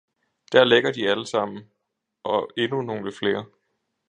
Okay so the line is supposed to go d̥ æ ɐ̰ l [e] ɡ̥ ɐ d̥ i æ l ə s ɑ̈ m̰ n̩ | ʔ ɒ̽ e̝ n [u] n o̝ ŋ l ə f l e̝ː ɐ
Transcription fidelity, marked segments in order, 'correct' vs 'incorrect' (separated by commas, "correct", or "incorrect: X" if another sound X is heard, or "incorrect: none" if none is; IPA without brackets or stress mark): correct, correct